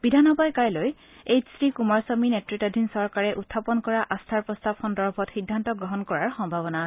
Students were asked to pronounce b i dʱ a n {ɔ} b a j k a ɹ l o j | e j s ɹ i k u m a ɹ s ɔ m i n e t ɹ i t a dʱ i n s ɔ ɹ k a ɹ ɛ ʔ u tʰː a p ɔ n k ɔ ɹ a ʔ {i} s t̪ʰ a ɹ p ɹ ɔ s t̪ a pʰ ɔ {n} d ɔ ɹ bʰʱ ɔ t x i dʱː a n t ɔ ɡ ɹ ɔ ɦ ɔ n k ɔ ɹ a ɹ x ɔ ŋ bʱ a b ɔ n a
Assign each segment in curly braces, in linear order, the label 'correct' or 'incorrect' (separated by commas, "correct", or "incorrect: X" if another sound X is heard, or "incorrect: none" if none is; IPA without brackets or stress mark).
correct, incorrect: a, correct